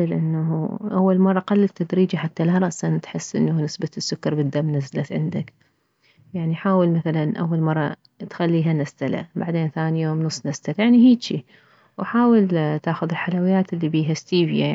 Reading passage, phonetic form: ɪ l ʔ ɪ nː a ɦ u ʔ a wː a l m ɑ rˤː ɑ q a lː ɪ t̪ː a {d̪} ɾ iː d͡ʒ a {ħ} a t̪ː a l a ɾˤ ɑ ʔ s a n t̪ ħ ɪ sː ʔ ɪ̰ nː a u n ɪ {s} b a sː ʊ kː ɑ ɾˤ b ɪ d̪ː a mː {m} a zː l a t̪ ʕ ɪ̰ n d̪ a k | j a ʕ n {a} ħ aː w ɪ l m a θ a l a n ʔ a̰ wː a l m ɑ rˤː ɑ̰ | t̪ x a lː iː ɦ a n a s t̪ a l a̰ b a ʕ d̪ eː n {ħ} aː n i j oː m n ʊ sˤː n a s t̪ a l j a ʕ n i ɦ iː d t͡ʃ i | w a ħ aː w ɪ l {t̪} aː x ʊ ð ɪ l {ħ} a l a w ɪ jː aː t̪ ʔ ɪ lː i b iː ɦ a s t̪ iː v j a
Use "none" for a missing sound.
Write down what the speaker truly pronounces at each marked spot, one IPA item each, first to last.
d̪, ħ, s, n, i, θ, t̪, ħ

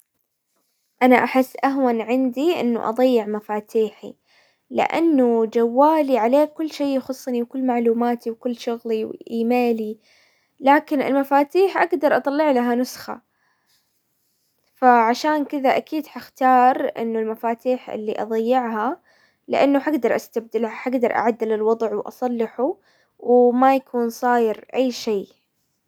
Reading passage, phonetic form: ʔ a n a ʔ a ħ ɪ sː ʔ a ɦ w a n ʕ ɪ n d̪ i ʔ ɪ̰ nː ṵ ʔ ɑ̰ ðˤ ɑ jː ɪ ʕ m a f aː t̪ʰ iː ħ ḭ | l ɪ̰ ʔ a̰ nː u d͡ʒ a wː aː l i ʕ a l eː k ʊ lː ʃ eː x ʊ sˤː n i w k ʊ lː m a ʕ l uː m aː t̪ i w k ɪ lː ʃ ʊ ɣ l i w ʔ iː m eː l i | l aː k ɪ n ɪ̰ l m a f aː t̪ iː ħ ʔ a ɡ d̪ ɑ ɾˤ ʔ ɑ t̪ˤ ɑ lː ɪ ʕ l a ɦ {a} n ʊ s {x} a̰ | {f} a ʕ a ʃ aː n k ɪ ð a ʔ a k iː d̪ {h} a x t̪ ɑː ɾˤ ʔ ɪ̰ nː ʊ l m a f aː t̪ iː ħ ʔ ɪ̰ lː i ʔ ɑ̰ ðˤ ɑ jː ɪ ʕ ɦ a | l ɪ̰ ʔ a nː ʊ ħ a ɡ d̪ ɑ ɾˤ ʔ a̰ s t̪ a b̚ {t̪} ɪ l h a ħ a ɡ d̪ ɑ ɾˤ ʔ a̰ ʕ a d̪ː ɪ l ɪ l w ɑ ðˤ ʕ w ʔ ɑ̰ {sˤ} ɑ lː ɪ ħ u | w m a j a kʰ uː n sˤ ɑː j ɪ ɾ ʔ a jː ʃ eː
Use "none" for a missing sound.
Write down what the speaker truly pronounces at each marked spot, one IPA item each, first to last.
a, x, f, ħ, d̪, sˤ

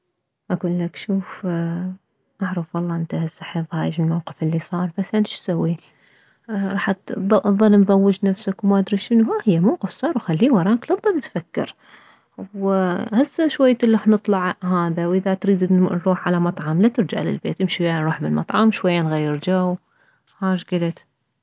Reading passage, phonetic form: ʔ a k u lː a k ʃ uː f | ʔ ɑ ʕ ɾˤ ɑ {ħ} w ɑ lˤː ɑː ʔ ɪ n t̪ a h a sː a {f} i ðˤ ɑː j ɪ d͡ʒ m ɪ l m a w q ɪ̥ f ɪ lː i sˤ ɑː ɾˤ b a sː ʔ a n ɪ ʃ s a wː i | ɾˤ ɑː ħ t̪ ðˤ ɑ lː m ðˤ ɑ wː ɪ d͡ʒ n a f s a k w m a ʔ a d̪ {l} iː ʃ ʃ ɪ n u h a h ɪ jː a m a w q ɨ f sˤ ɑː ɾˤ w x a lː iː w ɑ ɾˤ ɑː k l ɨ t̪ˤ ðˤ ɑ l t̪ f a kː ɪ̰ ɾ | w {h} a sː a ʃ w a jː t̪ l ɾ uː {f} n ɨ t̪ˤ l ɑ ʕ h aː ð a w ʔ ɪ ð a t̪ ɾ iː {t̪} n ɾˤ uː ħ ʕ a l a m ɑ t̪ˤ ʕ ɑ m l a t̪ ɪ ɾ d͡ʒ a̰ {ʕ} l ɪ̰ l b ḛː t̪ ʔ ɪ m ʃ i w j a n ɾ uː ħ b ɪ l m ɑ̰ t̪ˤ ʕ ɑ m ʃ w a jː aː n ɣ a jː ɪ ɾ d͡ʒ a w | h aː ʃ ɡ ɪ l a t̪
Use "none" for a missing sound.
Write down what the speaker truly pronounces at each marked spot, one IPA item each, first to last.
f, ħ, ɾ, h, ħ, d̪, ʕ

